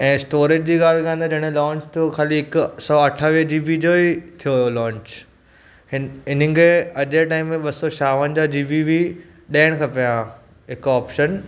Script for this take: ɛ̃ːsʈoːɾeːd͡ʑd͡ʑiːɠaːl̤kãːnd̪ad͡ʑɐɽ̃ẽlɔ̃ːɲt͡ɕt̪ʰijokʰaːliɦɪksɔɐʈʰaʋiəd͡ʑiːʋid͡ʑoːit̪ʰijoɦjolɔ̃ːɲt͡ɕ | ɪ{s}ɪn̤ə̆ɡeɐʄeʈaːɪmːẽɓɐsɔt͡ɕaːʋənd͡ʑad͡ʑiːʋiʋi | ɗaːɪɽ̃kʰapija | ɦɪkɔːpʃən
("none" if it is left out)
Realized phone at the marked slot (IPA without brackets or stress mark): none